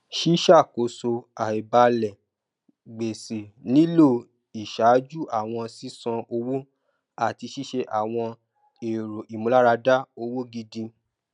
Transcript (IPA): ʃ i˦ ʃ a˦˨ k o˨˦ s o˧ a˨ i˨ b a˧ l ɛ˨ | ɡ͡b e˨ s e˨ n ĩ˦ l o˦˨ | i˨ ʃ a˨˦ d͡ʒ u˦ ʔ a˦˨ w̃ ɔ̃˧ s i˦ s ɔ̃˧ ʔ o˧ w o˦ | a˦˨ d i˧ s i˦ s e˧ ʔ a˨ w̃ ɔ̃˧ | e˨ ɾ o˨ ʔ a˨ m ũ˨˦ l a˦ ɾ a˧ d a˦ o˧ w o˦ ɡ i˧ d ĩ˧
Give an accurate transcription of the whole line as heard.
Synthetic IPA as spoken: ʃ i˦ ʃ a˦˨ k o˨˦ s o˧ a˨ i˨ b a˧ l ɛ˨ | ɡ͡b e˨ s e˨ n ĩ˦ l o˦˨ | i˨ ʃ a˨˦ d͡ʒ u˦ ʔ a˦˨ w̃ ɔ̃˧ s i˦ s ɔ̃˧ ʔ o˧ w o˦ | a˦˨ t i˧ ʃ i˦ ʃ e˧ ʔ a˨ w̃ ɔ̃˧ | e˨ ɾ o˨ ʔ i˨ m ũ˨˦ l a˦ ɾ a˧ d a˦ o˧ w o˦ ɡ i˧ d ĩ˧